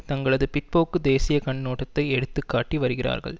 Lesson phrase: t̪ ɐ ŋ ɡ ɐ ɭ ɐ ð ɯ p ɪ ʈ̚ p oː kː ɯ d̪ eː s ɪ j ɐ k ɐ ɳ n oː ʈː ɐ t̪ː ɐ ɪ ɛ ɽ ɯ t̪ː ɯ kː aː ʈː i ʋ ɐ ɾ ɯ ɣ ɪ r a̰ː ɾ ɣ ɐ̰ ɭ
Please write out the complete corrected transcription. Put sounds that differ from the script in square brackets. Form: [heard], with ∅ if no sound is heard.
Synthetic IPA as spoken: t̪ ɐ ŋ ɡ ɐ ɭ ɐ ð ɯ p ɪ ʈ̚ p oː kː ɯ d̪ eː s ɪ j ɐ k ɐ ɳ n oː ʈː ɐ t̪ː ɐ ɪ ɛ ɽ ɯ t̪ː ɯ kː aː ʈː i ʋ ɐ ɾ ɯ ɣ ɪ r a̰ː ɾ ɣ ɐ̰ ɭ